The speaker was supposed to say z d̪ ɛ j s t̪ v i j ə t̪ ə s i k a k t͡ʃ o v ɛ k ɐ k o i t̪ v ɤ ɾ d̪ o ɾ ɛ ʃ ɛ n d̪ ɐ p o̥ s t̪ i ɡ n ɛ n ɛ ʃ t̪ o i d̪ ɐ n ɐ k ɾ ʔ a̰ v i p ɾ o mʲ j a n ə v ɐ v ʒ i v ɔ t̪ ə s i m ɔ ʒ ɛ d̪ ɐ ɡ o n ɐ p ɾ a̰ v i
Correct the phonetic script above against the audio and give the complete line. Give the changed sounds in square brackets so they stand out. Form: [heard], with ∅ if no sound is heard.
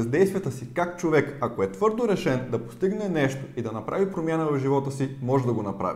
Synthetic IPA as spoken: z d̪ ɛ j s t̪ v i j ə t̪ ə s i k a k t͡ʃ o v ɛ k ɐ k o [ɛ] t̪ v ɤ ɾ d̪ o ɾ ɛ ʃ ɛ n d̪ ɐ p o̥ s t̪ i ɡ n ɛ n ɛ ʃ t̪ o i d̪ ɐ n ɐ [p] ɾ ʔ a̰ v i p ɾ o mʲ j a n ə v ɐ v ʒ i v ɔ t̪ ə s i m ɔ ʒ ɛ d̪ ɐ ɡ o n ɐ p ɾ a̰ v i